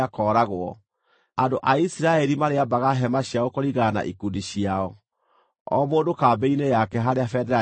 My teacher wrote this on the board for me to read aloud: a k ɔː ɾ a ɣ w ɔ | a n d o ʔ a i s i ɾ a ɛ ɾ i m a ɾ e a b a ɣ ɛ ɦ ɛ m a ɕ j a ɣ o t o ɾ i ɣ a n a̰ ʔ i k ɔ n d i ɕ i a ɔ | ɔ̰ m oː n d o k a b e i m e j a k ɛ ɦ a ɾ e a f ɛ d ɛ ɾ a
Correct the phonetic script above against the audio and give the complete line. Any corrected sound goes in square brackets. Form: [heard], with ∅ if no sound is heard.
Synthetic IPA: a k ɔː ɾ a ɣ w ɔ | a n d o ʔ a i s i ɾ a ɛ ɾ i m a ɾ e a b a ɣ [a] ɦ ɛ m a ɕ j a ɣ o [k] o ɾ i ɣ a n a̰ ʔ i k [u] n d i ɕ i a ɔ | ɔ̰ m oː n d o k a b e i [n] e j a k ɛ ɦ a ɾ e a f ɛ d ɛ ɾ a